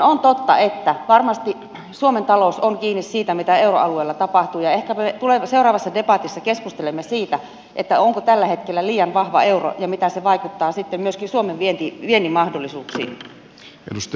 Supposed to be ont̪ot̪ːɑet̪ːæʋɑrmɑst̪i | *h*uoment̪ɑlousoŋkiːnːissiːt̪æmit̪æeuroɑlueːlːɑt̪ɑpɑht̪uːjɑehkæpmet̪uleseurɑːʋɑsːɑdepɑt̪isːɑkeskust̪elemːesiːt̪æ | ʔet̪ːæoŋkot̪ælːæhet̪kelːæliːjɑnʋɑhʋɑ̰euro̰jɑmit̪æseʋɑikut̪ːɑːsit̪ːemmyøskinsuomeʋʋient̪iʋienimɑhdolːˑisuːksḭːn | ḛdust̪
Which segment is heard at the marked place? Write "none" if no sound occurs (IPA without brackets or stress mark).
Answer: s